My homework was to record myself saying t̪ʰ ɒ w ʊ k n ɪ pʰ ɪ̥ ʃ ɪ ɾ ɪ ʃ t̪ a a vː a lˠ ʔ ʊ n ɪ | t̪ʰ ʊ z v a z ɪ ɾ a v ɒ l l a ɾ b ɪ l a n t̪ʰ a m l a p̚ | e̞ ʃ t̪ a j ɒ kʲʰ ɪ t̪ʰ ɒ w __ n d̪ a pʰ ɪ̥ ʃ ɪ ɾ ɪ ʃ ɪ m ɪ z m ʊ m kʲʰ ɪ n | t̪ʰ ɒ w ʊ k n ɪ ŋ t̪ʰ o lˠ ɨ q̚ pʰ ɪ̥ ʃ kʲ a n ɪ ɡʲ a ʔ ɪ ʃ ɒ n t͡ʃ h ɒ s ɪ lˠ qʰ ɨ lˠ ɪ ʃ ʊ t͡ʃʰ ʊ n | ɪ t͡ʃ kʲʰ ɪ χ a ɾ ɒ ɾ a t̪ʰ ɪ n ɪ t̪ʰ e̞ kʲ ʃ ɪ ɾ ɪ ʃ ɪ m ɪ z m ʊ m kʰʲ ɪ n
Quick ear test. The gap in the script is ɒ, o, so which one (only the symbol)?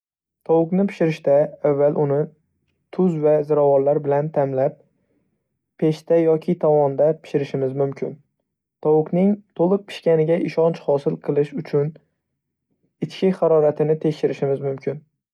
ɒ